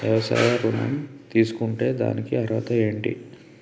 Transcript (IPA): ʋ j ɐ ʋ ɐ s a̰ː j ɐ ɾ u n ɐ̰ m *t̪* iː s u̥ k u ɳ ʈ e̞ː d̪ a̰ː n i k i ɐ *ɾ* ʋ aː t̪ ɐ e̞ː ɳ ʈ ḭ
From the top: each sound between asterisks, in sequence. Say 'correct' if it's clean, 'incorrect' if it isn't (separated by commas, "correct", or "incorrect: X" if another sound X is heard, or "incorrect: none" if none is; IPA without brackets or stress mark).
correct, correct